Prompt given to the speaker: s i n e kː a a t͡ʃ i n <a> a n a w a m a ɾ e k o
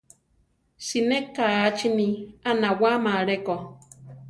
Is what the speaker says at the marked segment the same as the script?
no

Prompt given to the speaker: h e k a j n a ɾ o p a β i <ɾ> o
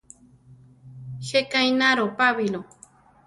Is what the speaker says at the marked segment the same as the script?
no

